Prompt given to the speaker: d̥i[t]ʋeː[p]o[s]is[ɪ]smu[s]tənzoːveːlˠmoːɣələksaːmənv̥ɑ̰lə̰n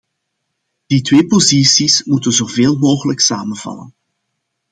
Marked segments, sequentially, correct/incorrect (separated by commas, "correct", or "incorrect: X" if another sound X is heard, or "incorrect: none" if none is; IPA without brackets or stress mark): correct, correct, incorrect: z, incorrect: i, incorrect: none